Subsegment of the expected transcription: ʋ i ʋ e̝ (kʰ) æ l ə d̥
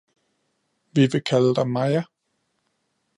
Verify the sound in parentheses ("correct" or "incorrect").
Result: correct